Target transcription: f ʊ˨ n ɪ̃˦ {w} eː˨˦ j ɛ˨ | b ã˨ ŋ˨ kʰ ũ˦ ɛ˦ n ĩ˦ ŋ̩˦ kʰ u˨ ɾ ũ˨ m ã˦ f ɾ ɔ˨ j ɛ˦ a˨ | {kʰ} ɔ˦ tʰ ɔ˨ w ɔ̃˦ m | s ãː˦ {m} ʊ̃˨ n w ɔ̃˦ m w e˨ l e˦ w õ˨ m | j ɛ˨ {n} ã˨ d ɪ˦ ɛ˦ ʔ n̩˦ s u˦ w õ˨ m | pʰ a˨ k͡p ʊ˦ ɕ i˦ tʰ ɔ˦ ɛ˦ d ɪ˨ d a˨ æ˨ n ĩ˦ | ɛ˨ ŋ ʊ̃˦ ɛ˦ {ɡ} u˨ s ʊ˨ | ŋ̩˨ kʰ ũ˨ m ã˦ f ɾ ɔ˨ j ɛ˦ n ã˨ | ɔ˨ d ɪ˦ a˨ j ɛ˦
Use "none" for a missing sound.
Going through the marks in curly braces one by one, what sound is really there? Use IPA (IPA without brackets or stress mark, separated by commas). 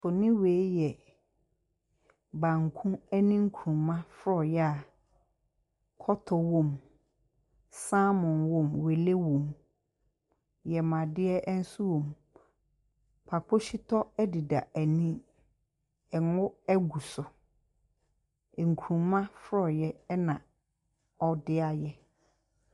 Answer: w, kʰ, m, m, ɡ